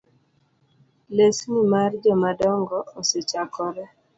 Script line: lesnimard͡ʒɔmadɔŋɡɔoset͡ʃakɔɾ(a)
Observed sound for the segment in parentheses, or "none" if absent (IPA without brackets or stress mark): ɛ